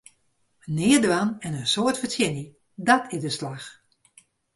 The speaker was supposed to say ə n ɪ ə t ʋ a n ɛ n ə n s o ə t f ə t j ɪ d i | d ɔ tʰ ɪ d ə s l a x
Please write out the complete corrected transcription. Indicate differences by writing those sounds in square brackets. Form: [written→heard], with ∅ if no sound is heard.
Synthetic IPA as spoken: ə n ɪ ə [t→d] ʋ a n ɛ n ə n s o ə t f ə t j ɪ [d→n] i | d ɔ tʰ ɪ d ə s l a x

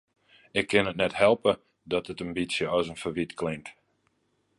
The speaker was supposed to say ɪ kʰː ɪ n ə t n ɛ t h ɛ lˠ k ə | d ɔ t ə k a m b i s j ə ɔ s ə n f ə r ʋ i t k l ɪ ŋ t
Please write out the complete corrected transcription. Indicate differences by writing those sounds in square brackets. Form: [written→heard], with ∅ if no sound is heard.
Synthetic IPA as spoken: ɪ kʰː ɪ n ə t n ɛ t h ɛ lˠ [k→p] ə | d ɔ t ə [k→t] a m b i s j ə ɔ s ə n f ə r ʋ i t k l ɪ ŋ t

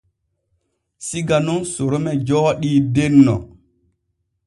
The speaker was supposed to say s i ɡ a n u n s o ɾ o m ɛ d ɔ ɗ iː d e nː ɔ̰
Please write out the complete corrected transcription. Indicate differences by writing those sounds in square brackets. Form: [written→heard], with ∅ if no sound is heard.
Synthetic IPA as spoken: s i ɡ a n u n s o ɾ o m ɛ [d→d͡ʒ] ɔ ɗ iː d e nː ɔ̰

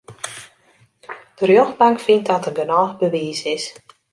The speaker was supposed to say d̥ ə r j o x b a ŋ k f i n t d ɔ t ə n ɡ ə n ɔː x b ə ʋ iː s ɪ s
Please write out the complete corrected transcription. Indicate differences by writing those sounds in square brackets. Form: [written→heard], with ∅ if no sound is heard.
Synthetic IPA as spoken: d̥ ə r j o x b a ŋ k f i n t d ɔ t ə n ɡ ə n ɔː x b ə ʋ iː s ɪ s

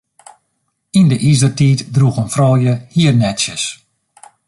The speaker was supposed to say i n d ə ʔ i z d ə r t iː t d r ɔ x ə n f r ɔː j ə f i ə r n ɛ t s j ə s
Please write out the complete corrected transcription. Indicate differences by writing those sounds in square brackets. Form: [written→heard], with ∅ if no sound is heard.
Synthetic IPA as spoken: i n d ə ʔ i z d ə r t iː t d r [ɔ→u] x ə n f r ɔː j ə [f→h] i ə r n ɛ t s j ə s

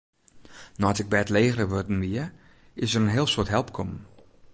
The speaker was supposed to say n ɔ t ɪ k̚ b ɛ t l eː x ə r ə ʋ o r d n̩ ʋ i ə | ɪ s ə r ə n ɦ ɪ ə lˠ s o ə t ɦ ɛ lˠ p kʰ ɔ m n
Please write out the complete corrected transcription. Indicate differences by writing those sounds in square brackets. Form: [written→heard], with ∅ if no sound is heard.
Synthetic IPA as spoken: n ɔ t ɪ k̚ b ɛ t l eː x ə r ə ʋ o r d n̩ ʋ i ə | ɪ s ə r ə n ɦ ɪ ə lˠ s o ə t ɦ ɛ lˠ p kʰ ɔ m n

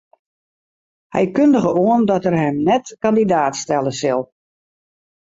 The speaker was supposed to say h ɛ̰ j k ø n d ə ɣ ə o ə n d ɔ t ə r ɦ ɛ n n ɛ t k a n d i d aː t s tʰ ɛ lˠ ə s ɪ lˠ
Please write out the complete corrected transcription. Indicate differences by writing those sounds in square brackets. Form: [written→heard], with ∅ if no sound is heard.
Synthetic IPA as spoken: h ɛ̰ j k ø n d ə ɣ ə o ə n d ɔ t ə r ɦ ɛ [n→m] n ɛ t k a n d i d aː t s [tʰ→t] ɛ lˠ ə s ɪ lˠ

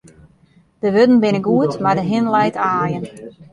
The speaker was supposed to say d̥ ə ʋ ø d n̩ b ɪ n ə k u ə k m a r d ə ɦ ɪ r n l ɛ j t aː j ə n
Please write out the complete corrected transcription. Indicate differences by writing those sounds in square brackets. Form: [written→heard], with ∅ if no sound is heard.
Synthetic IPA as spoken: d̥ ə ʋ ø d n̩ b ɪ n ə [k→ɡ] u ə [k→t] m a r d ə ɦ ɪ [r→∅] n l ɛ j t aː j ə n

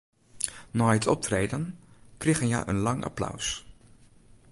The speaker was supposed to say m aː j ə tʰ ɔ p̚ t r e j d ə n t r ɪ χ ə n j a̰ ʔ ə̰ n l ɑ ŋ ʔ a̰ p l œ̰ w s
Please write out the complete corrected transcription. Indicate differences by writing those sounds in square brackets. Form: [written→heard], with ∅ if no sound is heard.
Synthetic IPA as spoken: [m→n] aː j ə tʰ ɔ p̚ t r e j d ə n [t→k] r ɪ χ ə n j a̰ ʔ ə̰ n l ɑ ŋ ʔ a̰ p l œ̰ w s

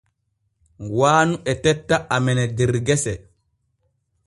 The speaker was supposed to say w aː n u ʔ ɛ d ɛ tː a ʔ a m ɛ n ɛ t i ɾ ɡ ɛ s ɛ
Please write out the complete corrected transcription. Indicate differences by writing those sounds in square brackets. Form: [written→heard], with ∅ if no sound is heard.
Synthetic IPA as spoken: w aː n u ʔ ɛ [d→t] ɛ tː a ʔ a m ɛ n ɛ [t→d] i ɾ ɡ ɛ s ɛ

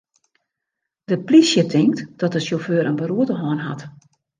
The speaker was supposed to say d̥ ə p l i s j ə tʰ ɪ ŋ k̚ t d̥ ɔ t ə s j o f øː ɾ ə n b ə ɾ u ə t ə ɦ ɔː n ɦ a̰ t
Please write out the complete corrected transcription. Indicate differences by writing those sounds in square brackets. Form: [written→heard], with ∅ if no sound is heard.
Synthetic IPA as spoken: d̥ ə p l i s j ə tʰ ɪ ŋ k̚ t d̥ ɔ t ə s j o f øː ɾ ə n b ə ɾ u ə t ə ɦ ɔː n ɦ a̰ t

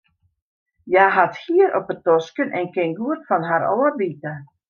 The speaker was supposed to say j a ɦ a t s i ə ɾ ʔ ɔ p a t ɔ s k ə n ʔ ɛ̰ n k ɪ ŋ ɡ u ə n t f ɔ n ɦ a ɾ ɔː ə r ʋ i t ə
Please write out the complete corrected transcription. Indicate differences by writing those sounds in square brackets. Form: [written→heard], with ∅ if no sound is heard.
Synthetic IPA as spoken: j a ɦ a t [s→h] i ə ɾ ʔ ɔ p [a→ə] t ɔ s k ə n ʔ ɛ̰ n k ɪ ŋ ɡ u ə [n→∅] t f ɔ n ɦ a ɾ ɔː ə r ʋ i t ə

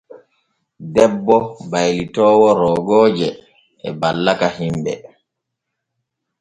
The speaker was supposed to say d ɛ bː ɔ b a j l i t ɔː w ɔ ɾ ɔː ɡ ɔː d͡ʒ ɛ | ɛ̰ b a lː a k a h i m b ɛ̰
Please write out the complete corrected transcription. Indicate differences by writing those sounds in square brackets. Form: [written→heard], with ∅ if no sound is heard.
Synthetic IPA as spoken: d ɛ bː ɔ b a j l i t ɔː w ɔ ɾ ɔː ɡ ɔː d͡ʒ ɛ | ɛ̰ b a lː a k a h i m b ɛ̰

